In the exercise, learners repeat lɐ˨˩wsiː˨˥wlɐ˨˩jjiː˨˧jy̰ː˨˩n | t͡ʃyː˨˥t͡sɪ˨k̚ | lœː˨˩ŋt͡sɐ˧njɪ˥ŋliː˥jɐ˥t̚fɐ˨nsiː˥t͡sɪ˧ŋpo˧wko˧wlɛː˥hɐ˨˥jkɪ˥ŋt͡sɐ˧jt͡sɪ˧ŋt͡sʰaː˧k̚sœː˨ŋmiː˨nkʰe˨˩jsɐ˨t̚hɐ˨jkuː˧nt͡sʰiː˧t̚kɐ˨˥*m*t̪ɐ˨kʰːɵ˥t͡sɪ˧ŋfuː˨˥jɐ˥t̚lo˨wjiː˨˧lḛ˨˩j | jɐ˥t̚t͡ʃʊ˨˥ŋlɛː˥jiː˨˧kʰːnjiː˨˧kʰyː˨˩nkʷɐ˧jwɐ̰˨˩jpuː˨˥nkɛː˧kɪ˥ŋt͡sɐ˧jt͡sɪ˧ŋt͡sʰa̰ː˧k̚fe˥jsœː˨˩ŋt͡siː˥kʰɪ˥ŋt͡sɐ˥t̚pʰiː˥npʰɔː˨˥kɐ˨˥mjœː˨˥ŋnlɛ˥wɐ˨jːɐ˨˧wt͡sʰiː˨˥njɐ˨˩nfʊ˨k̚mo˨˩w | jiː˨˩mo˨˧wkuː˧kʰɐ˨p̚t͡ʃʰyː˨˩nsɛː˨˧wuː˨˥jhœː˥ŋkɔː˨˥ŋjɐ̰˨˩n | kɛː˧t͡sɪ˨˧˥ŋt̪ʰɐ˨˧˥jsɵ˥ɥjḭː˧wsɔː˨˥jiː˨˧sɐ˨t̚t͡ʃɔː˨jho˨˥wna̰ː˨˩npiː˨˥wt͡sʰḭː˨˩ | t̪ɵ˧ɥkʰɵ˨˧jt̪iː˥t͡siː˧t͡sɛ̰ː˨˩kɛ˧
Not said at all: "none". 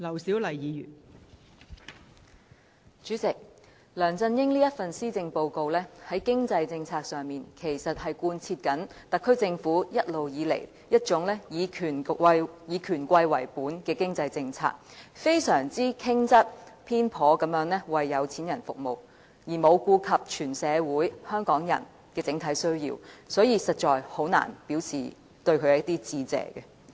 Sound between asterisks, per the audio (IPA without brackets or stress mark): n